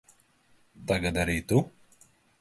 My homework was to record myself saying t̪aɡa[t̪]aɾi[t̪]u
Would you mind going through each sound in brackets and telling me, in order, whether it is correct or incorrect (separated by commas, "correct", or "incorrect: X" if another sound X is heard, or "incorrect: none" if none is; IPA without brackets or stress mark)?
incorrect: d̪, correct